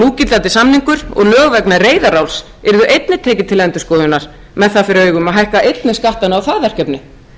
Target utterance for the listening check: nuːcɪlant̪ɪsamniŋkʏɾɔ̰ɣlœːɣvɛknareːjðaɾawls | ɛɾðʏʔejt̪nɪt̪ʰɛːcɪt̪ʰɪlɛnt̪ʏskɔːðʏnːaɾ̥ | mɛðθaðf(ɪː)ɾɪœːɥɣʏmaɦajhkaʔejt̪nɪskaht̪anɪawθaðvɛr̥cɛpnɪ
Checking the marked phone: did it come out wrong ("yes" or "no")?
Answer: yes